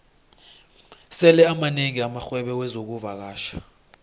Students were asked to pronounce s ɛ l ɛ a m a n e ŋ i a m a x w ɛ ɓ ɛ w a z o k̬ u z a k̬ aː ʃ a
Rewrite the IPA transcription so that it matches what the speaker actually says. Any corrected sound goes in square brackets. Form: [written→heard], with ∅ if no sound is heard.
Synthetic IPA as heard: s ɛ l ɛ a m a n e ŋ i a m a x w ɛ ɓ ɛ w [a→ɛ] z o k̬ u [z→v] a k̬ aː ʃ a